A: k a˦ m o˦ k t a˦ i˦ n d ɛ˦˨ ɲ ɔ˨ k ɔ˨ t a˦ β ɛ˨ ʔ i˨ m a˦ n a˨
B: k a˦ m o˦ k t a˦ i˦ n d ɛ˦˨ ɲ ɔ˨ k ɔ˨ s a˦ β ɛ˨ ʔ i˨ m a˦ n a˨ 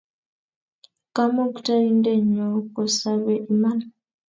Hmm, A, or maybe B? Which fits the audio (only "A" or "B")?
B